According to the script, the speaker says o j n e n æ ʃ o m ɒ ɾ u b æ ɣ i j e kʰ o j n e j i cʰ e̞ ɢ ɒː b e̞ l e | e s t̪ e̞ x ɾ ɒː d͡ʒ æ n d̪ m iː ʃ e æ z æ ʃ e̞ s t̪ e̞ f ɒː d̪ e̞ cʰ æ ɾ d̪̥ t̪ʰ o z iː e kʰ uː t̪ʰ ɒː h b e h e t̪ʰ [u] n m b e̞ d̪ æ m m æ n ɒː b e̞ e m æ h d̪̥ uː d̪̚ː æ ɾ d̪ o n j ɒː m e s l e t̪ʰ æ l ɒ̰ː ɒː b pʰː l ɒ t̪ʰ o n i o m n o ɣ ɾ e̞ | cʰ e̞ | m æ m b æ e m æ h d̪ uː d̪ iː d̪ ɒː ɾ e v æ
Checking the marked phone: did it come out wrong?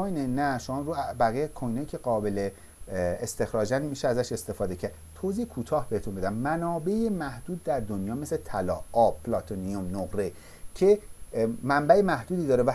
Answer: no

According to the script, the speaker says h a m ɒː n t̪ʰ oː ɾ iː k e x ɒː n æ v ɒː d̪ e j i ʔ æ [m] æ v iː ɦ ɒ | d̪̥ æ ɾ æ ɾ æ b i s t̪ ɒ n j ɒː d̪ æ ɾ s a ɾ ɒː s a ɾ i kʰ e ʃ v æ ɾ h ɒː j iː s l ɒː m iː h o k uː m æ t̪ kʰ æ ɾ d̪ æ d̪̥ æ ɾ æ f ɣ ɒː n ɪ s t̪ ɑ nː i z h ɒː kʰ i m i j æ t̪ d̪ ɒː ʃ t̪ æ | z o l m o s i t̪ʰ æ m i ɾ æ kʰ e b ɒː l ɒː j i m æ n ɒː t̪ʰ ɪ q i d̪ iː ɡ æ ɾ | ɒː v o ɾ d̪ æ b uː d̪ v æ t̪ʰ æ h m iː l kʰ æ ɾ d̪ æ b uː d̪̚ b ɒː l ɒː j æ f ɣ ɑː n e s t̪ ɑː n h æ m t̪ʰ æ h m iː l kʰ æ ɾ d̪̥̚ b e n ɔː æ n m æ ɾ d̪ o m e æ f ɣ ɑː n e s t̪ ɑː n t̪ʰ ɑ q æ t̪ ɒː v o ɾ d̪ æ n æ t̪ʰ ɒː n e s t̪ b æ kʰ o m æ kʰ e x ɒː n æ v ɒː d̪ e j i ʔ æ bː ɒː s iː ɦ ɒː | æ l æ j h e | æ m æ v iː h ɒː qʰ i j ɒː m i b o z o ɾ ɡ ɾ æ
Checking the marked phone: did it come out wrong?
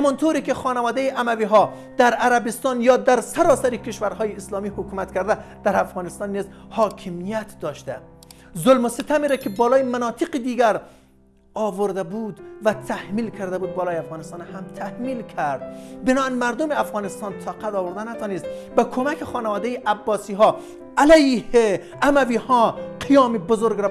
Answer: no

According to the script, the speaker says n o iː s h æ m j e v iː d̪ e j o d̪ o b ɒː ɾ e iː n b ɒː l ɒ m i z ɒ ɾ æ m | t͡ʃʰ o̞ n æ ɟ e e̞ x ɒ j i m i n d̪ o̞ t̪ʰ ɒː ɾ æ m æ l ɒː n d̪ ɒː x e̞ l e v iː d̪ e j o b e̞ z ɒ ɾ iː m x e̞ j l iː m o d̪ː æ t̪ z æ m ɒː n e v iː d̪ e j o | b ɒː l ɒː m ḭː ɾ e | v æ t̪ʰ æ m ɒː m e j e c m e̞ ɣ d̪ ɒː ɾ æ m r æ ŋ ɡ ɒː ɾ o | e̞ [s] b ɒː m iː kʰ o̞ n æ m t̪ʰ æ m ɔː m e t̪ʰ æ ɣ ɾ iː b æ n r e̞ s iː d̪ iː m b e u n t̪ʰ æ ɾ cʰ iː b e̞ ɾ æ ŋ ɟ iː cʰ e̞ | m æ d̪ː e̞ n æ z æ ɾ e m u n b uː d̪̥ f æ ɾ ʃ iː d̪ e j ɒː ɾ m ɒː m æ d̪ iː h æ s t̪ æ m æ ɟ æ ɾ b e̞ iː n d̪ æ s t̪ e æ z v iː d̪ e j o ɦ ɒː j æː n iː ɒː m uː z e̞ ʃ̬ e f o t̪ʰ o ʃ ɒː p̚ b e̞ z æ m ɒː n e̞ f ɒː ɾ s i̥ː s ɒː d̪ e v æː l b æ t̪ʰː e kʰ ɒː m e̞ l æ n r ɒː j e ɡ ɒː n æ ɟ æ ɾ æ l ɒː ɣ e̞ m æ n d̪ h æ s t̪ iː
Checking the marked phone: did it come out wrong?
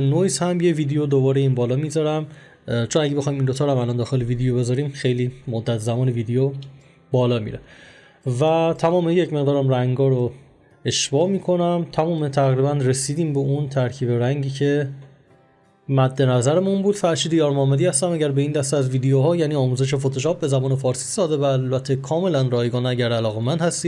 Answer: yes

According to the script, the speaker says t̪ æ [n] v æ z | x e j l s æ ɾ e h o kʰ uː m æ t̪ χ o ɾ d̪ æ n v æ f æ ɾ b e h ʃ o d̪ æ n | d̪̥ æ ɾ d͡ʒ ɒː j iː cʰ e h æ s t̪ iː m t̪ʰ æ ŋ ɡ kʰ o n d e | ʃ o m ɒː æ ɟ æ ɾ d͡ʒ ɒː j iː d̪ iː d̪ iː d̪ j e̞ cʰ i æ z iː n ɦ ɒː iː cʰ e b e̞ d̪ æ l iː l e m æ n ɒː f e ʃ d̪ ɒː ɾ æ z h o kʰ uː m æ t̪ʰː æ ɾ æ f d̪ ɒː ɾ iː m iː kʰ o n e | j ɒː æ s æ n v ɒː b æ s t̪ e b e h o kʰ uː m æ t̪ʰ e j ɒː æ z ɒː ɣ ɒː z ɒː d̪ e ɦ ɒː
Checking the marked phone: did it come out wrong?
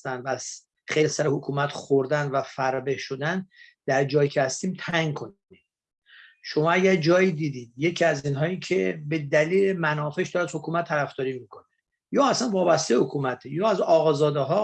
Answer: no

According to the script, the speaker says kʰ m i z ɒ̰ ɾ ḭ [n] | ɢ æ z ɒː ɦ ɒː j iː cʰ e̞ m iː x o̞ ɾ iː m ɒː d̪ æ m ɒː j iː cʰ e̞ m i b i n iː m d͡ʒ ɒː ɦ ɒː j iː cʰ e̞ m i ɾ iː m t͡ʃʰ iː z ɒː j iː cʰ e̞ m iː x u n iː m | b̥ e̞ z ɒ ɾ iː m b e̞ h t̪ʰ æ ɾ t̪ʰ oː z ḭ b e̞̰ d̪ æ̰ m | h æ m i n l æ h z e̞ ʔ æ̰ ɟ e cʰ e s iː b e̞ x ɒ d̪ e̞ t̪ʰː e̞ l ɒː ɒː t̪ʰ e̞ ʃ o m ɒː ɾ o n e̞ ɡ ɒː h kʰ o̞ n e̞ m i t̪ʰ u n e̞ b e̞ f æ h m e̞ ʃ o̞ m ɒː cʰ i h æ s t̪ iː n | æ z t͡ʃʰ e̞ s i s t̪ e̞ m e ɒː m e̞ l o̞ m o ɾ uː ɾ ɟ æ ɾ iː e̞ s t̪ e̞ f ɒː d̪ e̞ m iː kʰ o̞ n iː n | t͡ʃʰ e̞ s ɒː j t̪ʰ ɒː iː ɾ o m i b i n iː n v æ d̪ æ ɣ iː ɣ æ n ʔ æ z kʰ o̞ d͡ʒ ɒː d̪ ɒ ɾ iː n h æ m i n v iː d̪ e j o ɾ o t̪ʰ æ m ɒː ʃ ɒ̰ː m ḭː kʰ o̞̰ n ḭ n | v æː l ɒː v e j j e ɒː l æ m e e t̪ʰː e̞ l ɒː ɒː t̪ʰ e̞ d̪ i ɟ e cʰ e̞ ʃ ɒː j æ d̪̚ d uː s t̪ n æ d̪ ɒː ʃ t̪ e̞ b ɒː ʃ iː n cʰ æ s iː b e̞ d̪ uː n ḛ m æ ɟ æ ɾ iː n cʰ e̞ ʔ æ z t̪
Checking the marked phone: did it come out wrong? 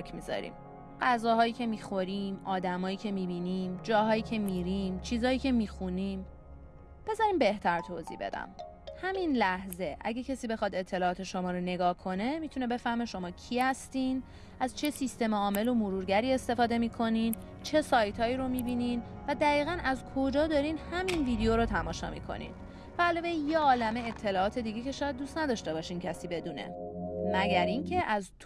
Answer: yes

